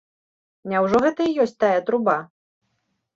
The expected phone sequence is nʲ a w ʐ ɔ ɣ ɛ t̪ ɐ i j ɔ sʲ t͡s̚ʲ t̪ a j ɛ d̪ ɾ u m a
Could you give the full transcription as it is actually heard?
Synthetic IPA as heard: nʲ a w ʐ ɔ ɣ ɛ t̪ ɐ i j ɔ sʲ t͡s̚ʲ t̪ a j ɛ t̪ ɾ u b a